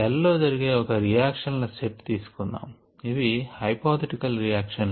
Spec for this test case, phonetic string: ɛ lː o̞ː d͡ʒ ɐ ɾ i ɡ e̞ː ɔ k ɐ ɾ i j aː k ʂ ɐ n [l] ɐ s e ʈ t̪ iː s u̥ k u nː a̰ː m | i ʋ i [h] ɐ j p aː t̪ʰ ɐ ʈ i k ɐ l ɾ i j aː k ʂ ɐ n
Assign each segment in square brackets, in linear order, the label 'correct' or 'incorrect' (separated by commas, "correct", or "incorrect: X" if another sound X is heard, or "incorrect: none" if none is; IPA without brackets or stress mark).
correct, correct